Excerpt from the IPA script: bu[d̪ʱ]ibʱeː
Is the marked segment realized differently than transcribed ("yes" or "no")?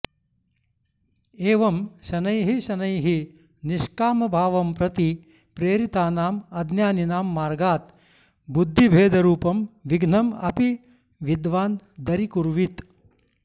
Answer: yes